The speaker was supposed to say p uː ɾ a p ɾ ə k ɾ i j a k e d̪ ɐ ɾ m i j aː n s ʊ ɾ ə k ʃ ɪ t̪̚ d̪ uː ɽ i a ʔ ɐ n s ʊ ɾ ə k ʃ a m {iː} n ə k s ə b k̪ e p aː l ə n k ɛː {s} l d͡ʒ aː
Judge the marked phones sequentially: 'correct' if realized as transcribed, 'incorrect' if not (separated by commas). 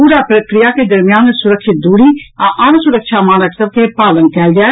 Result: incorrect, incorrect